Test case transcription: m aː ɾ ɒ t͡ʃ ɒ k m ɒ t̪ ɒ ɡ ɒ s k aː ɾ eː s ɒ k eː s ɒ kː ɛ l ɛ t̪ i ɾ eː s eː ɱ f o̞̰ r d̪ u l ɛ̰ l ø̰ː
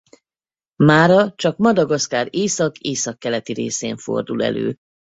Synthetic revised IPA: m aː ɾ ɒ t͡ʃ ɒ k m ɒ d̪ ɒ ɡ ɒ s k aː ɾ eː s ɒ k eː s ɒ kː ɛ l ɛ t̪ i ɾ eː s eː ɱ f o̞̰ r d̪ u l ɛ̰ l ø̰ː